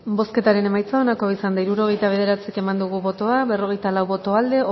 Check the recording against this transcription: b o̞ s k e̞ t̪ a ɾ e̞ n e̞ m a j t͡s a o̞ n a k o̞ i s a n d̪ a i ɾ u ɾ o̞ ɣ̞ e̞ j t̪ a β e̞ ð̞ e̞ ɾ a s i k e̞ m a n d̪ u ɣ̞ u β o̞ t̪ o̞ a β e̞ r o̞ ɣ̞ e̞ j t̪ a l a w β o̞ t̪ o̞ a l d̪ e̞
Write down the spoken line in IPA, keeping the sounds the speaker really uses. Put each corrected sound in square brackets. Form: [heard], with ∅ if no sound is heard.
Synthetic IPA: b o̞ s k e̞ t̪ a ɾ e̞ n e̞ m a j t͡s a o̞ n a k o̞ i s a n d̪ a i ɾ u ɾ o̞ ɣ̞ e̞ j t̪ a β e̞ ð̞ e̞ ɾ a [t͡s] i k e̞ m a n d̪ u ɣ̞ u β o̞ t̪ o̞ a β e̞ r o̞ ɣ̞ e̞ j t̪ a l a w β o̞ t̪ o̞ a l d̪ e̞